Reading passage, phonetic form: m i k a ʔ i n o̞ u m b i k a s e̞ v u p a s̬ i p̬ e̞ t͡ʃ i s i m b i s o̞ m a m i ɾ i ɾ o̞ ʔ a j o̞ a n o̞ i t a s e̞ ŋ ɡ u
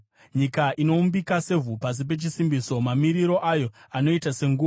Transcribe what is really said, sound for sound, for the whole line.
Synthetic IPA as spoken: ɲ i k a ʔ i n o̞ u m b i k a s e̞ v u p a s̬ i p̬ e̞ t͡ʃ i s i m b i s o̞ m a m i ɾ i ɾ o̞ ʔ a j o̞ a n o̞ i t a s e̞ ŋ ɡ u

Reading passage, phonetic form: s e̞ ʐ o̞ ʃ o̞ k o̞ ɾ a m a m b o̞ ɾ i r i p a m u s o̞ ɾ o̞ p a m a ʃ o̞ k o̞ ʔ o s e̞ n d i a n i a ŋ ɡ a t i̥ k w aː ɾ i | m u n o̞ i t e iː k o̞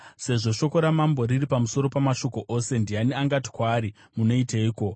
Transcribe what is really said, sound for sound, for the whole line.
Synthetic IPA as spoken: s e̞ ʐ o̞ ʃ o̞ k o̞ ɾ a m a m b o̞ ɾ i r i p a m u s o̞ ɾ o̞ p a m a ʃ o̞ k o̞ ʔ o s e̞ n d i a n i a ŋ ɡ a t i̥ k w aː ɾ i | m u n o̞ i t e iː k o̞

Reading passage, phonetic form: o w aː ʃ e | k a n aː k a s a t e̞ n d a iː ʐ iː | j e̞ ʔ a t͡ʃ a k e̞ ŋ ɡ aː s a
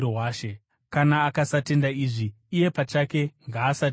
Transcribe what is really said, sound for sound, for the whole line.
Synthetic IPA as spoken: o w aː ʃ e | k a n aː k a s a t e̞ n d a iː ʐ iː | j e̞ p a t͡ʃ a k e̞ ŋ ɡ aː s a

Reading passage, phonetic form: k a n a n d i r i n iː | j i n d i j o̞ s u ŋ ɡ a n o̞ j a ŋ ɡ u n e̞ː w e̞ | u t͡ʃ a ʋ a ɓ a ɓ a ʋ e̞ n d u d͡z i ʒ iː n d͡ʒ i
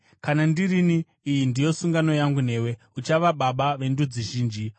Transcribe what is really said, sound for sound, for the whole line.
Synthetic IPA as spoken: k a n a n d i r i n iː | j i n d i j o̞ s u ŋ ɡ a n o̞ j a ŋ ɡ u n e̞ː w e̞ | u t͡ʃ a ʋ a ɓ a ɓ a ʋ e̞ n d u d͡z i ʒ iː n d͡ʒ i

